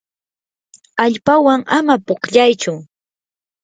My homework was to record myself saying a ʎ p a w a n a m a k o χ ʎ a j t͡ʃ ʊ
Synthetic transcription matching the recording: a ʎ p a w a ŋ a m a p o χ ʎ a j t͡ʃ ʊ